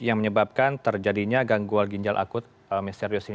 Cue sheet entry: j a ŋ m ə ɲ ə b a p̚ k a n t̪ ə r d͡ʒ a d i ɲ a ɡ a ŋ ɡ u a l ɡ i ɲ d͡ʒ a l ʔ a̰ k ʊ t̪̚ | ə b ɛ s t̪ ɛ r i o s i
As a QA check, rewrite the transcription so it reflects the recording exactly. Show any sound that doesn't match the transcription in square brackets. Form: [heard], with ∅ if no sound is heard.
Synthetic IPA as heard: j a ŋ m ə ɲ ə b a p̚ k a n t̪ ə r d͡ʒ a d i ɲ a ɡ a ŋ ɡ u a l ɡ i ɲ d͡ʒ a l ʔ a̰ k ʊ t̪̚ | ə [m] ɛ s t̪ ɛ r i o s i